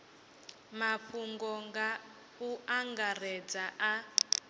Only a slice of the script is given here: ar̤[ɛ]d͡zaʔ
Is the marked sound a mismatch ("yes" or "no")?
no